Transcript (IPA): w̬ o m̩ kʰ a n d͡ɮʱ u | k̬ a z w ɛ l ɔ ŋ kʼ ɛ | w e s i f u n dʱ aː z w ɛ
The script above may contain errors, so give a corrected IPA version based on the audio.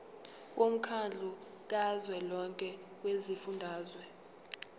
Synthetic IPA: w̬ o m̩ kʰ a n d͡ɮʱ u | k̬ a z w ɛ l ɔ ŋ kʼ ɛ | w e z i f u n dʱ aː z w ɛ